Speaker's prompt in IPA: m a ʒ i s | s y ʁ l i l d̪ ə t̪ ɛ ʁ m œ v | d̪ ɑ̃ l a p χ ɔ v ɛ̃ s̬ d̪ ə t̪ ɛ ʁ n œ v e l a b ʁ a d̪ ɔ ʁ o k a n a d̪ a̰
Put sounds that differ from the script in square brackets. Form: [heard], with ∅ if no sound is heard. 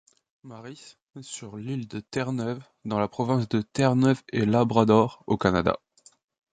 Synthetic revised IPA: m a [ʁ] i s | s y ʁ l i l d̪ ə t̪ ɛ ʁ [n] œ v | d̪ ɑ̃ l a p χ ɔ v ɛ̃ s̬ d̪ ə t̪ ɛ ʁ n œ v e l a b ʁ a d̪ ɔ ʁ o k a n a d̪ a̰